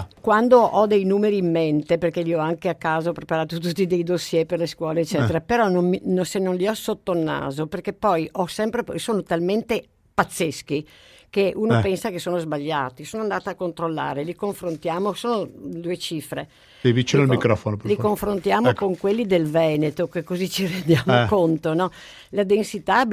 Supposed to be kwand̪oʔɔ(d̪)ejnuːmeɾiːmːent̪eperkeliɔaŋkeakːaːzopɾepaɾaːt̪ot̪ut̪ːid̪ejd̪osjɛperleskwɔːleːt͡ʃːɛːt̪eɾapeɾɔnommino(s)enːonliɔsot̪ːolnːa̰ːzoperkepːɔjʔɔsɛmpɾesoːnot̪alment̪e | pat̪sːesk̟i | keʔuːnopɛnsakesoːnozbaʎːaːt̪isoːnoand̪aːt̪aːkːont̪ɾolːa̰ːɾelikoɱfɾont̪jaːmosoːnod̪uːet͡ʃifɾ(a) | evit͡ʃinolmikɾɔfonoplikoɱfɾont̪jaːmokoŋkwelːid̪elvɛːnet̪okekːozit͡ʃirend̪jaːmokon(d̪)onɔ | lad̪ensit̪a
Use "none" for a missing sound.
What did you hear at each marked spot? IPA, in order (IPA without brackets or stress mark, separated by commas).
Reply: d̪, s, e, t̪